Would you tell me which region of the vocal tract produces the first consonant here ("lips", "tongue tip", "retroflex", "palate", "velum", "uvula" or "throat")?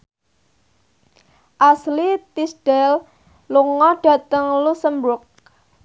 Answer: throat